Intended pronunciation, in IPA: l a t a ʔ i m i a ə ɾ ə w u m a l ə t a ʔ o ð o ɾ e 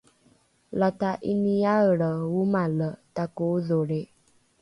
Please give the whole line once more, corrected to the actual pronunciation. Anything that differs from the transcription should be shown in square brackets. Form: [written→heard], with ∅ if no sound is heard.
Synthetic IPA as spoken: l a t a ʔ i [m→n] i a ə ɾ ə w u m a l ə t a [ʔ→k] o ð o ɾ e